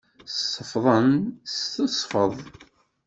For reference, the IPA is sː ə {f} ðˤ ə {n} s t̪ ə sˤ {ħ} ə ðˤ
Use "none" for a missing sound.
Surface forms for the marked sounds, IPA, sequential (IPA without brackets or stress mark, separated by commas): f, n, f